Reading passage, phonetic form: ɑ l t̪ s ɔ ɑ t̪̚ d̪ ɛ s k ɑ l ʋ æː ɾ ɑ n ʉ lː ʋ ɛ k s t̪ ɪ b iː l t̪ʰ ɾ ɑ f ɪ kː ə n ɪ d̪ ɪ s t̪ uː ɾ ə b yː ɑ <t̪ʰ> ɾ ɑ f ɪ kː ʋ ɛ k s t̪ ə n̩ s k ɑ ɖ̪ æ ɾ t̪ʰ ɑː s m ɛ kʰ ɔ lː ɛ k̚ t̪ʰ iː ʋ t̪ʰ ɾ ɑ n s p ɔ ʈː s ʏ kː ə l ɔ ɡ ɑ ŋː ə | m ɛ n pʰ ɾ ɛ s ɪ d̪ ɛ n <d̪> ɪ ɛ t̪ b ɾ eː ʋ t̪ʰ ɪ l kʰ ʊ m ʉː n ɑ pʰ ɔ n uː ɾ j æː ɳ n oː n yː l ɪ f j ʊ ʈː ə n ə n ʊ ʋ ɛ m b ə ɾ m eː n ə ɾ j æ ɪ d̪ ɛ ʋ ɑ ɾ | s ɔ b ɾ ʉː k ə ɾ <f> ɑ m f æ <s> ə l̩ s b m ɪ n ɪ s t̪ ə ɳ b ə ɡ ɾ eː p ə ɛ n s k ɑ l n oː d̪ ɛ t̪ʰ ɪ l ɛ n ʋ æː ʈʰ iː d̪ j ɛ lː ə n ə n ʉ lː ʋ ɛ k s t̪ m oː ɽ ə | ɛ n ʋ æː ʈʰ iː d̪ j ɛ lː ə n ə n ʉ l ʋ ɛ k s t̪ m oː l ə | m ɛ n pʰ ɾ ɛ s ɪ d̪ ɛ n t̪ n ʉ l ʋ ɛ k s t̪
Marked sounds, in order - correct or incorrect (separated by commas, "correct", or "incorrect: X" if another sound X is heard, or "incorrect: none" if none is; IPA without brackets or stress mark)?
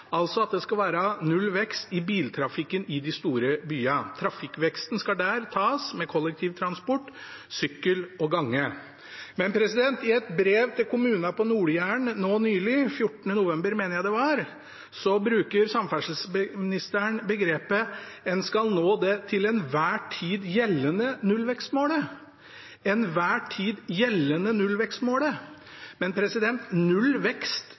correct, incorrect: t̪, incorrect: s, incorrect: ʂ